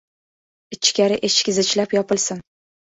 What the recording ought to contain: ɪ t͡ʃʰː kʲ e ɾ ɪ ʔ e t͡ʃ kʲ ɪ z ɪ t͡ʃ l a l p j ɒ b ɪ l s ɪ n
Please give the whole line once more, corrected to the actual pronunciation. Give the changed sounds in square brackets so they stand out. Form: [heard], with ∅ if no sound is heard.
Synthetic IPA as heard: ɪ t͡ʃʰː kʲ [a] ɾ ɪ ʔ e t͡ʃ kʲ ɪ z ɪ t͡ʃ l a [∅] p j ɒ [p] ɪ l s ɪ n